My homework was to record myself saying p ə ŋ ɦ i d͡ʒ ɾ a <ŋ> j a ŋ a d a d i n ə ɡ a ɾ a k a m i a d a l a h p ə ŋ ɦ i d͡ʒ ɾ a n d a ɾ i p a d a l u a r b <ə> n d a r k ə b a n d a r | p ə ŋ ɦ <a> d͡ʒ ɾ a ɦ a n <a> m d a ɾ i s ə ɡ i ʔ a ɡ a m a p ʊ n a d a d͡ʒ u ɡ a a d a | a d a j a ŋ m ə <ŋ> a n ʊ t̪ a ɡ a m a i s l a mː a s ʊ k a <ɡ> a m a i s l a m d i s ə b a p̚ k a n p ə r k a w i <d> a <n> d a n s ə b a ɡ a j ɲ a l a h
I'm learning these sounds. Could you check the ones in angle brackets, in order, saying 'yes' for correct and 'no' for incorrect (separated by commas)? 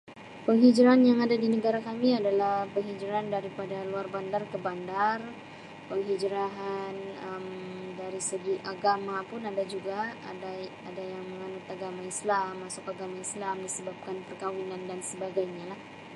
no, no, no, no, yes, yes, no, yes